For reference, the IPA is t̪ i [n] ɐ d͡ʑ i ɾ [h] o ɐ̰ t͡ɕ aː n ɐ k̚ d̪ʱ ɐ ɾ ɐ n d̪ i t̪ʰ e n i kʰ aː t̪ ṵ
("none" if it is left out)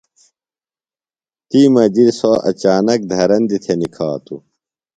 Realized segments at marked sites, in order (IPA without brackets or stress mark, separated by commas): m, s